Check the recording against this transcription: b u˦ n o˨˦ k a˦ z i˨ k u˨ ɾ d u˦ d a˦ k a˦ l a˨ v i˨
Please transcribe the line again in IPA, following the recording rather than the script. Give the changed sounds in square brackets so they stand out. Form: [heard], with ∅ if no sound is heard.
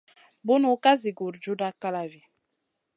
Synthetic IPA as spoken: b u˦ n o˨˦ k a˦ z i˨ [ɡ] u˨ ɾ [d͡ʒ] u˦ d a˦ k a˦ l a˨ v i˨